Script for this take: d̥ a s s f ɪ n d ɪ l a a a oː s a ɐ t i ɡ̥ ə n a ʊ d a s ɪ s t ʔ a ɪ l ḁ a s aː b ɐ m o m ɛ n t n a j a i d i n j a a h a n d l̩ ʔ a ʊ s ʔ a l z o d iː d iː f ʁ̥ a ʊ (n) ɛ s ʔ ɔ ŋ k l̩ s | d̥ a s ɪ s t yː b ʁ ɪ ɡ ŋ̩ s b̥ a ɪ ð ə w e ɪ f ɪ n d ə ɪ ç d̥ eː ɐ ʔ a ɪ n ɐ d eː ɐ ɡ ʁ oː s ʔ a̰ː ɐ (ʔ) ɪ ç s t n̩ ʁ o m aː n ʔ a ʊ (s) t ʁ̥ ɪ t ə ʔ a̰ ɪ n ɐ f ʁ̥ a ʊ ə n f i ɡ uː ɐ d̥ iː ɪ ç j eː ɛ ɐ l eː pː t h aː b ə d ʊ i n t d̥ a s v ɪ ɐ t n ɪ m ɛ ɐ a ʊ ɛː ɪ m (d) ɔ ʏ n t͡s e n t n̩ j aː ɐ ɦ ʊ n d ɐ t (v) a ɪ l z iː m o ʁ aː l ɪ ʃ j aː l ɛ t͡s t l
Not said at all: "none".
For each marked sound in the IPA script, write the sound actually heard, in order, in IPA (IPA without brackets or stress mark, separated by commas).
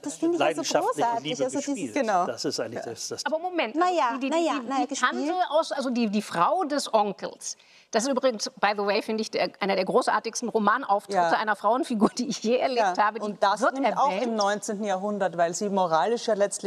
d, t, f, n, v